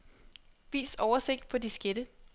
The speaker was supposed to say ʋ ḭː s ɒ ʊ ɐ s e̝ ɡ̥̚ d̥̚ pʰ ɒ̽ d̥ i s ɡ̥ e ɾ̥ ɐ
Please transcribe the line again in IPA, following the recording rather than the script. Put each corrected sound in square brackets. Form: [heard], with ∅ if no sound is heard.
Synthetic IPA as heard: ʋ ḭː s ɒ ʊ ɐ s e̝ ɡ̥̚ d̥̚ pʰ ɒ̽ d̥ i s ɡ̥ e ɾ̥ [ə]